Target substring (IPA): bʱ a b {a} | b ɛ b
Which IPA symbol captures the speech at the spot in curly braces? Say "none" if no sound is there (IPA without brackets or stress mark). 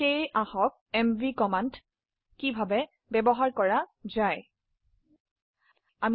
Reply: ɛ